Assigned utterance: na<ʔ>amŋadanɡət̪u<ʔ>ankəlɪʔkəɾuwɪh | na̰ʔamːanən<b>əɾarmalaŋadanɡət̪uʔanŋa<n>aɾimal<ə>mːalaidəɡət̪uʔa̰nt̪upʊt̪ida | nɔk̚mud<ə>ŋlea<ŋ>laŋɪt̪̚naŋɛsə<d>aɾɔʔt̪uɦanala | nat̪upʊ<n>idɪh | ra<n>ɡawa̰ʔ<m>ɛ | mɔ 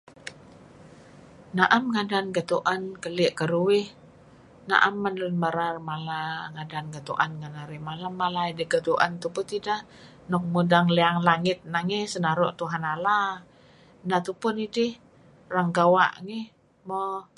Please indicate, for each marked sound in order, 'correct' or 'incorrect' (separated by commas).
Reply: correct, correct, incorrect, correct, incorrect, incorrect, correct, incorrect, correct, incorrect, incorrect